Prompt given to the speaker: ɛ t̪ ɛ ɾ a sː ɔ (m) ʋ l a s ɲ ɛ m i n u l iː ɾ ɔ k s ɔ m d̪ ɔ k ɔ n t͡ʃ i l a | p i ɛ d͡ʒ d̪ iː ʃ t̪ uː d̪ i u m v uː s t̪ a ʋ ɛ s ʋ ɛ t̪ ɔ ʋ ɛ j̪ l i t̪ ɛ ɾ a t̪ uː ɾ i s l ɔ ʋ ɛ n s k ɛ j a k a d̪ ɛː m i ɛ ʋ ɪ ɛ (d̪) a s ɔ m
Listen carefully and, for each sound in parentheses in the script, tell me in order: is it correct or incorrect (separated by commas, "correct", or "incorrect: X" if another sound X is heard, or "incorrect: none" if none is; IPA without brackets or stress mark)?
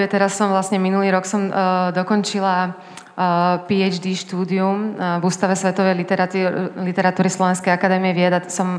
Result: correct, correct